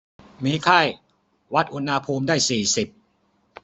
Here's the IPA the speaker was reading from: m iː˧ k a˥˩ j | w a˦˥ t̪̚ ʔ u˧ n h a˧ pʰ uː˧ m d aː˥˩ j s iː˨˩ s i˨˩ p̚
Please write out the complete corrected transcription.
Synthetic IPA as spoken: m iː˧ kʰ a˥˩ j | w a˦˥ t̪̚ ʔ u˧ n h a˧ pʰ uː˧ m d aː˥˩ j s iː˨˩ s i˨˩ p̚